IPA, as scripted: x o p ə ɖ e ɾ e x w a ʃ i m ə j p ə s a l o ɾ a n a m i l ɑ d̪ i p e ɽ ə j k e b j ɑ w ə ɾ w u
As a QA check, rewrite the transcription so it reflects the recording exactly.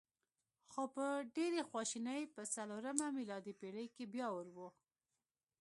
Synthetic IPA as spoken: x o p ə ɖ e ɾ e x w ɑ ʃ i n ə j p ə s a l o ɾ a m a m i l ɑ d̪ i p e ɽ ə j k e b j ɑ w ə ɾ w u